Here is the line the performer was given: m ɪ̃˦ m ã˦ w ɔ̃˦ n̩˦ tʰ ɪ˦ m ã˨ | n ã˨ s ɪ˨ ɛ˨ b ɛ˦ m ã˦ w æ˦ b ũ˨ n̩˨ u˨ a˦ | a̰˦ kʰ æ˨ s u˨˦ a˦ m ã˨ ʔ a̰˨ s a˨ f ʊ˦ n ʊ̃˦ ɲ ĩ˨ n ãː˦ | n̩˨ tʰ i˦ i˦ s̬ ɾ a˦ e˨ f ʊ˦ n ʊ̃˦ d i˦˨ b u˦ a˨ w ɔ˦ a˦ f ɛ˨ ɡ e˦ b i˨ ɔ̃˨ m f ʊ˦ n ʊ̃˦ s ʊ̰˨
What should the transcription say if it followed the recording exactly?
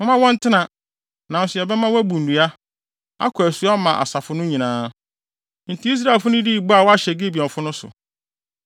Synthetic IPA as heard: m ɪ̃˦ m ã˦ w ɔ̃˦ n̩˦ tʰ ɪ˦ n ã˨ | n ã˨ s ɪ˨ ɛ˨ b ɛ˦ m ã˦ w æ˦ b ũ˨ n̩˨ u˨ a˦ | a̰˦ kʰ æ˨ s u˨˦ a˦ m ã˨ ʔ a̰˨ s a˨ f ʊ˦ n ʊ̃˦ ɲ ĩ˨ n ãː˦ | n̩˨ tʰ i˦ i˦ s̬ ɾ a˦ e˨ f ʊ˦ n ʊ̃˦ d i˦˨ b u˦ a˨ w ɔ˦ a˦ ɕ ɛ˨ ɡ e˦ b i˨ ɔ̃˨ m f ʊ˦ n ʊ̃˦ s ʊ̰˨